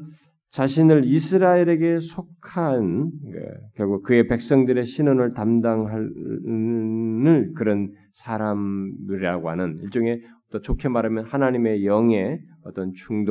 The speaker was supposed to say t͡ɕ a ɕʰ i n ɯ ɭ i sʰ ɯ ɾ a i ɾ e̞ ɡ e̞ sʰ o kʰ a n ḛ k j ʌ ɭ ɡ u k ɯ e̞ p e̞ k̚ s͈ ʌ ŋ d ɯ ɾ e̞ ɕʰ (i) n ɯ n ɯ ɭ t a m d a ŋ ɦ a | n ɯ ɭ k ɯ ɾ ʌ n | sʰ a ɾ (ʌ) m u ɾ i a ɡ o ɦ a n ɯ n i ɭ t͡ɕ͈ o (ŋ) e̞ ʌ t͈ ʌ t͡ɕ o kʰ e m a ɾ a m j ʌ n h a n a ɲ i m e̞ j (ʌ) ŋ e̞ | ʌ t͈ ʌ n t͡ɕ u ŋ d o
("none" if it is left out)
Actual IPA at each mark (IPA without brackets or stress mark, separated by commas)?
i, a, ŋ, ʌ